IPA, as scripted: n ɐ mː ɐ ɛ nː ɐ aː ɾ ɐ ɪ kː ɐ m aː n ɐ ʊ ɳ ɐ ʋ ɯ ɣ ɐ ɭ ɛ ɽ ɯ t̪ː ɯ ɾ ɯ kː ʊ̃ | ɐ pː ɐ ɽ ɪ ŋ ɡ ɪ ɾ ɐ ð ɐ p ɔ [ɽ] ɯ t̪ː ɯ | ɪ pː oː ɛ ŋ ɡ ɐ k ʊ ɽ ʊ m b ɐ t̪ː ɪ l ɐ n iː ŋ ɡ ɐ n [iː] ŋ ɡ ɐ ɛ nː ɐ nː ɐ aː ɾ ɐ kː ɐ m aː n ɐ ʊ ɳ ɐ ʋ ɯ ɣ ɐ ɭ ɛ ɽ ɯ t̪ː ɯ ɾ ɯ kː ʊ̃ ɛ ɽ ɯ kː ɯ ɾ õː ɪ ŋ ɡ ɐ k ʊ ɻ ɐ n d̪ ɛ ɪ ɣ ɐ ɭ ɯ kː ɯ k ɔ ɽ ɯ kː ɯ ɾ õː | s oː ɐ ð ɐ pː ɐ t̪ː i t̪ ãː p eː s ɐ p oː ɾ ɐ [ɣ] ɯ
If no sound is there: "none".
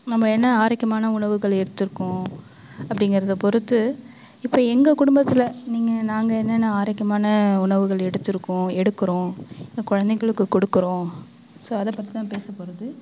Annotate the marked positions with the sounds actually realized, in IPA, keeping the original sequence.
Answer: ɾ, aː, ð

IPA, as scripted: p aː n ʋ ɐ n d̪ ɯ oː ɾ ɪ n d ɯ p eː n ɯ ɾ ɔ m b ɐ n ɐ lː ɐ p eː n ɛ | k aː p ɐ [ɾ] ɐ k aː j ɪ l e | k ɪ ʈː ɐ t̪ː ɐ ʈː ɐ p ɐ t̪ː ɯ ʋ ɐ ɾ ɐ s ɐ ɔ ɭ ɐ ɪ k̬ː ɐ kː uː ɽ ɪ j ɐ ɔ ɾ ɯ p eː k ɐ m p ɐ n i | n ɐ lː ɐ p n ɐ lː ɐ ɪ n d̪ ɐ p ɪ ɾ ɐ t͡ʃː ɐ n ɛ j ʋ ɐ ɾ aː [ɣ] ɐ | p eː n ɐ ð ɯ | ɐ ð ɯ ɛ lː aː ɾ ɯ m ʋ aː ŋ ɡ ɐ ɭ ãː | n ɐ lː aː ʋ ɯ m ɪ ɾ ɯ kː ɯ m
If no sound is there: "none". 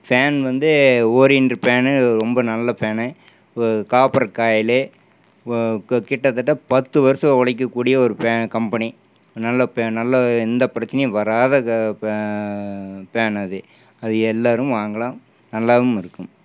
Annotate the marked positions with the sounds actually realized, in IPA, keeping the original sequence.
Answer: ɾ, ð

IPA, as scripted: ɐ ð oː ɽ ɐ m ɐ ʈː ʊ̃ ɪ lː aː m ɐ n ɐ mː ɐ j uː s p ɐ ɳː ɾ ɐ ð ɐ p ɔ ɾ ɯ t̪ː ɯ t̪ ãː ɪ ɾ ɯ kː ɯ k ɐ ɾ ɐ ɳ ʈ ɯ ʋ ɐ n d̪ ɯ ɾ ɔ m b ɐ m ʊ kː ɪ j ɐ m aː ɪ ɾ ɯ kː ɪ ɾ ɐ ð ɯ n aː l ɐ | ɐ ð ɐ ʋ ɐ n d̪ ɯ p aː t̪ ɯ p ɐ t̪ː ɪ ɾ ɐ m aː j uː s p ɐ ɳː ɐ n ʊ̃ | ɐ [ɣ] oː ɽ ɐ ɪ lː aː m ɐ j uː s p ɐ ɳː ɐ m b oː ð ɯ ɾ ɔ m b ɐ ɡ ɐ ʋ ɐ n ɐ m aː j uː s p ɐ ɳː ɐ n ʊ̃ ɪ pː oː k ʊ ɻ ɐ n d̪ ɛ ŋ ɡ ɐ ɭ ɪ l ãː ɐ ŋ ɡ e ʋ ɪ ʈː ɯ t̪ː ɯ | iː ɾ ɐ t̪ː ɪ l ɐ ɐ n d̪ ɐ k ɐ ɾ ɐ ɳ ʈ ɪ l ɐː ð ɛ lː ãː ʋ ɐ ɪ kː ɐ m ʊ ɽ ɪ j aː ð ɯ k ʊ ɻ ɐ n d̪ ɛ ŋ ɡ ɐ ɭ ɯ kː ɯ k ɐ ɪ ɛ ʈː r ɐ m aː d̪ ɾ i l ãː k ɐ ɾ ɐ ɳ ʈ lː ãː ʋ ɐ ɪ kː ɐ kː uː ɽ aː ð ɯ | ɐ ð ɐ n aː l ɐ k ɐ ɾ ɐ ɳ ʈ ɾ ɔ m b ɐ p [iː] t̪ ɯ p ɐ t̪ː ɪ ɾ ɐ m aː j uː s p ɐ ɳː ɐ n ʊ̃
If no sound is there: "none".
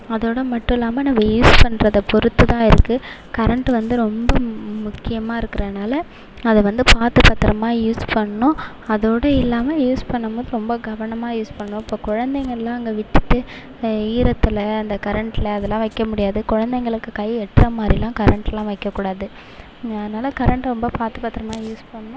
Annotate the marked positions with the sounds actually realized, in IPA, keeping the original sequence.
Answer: ð, aː

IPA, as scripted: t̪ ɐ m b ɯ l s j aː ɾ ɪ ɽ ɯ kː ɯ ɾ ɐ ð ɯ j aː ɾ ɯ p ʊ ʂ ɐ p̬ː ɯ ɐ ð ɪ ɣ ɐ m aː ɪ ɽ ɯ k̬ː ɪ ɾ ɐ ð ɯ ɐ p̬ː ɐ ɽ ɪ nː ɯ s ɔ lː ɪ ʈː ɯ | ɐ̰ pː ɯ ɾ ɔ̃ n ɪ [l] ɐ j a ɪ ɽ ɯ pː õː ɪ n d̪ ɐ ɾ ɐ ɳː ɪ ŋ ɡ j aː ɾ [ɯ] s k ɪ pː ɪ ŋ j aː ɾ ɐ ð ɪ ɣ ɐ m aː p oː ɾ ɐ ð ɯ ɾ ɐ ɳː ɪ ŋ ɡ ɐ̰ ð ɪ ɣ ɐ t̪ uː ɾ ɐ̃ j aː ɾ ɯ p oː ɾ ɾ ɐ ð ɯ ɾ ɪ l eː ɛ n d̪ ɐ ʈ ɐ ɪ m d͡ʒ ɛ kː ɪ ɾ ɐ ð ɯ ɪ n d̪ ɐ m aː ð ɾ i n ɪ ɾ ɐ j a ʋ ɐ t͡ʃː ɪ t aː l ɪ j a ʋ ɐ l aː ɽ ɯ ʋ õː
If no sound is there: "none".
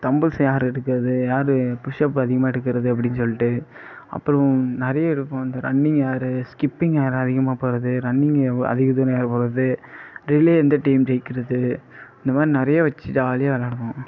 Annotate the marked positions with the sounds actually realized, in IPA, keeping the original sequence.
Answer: ɾ, ɯ

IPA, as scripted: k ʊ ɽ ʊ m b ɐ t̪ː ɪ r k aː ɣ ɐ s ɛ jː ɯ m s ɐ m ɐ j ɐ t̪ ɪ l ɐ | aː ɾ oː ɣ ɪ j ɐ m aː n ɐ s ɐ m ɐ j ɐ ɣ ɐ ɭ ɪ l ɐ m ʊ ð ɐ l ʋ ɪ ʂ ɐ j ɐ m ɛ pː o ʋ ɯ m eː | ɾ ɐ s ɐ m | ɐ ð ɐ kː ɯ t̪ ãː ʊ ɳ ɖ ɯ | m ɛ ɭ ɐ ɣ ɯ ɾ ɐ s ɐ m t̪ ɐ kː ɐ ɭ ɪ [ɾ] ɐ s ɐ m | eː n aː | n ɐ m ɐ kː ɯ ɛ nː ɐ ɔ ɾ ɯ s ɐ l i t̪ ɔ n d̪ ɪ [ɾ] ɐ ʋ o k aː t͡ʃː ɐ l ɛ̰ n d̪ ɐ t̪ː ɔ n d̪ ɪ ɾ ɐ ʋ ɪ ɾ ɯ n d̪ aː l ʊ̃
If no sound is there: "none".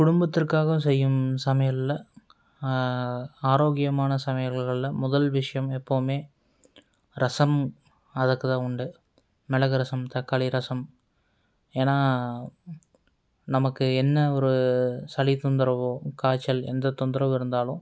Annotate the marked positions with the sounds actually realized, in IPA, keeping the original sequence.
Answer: ɾ, ɾ

